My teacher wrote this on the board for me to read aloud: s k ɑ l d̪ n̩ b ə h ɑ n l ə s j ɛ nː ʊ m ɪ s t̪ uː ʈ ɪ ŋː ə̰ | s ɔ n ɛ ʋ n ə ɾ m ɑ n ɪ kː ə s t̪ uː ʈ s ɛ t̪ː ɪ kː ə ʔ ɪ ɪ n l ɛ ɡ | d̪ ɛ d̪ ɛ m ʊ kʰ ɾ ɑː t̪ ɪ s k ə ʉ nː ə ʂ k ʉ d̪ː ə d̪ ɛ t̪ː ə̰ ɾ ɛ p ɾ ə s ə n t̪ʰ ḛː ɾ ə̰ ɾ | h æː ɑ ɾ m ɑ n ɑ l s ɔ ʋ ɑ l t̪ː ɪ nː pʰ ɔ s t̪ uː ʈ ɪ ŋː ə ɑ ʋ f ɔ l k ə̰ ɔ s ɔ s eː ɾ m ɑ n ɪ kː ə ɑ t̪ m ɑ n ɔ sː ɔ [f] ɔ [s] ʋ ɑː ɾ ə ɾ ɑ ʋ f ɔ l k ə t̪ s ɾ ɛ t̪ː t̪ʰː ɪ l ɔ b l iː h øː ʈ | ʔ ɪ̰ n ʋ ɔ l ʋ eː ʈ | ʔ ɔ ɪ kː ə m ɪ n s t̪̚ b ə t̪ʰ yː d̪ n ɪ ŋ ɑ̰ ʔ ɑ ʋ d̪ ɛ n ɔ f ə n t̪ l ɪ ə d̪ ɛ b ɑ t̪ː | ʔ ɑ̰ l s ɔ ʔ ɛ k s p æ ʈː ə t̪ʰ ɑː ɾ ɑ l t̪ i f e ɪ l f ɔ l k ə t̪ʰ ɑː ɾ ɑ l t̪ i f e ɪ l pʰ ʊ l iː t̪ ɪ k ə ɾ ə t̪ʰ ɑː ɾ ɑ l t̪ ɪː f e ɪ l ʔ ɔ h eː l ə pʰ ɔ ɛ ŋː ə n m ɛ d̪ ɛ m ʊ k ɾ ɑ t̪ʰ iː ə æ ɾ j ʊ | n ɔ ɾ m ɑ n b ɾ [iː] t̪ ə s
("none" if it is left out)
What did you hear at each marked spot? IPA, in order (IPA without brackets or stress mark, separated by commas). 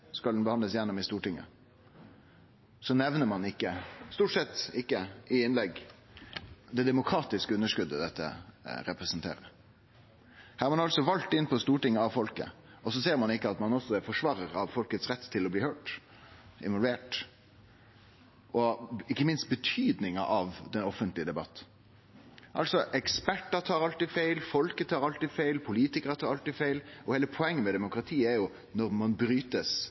f, ʂ, yː